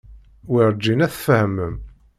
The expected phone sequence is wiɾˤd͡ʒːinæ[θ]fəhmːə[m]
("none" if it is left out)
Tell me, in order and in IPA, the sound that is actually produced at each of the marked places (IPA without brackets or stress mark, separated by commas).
θ, m